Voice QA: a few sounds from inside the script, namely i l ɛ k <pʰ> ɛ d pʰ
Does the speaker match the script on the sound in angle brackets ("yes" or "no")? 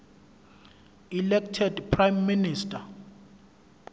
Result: no